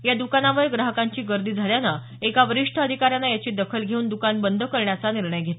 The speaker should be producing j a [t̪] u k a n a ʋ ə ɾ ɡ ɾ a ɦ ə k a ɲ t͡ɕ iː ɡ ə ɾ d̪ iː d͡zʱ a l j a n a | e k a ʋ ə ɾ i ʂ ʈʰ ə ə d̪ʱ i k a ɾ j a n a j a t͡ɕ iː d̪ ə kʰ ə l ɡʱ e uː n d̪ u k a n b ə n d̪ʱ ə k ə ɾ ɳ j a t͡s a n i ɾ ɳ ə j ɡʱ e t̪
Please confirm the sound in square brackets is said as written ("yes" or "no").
no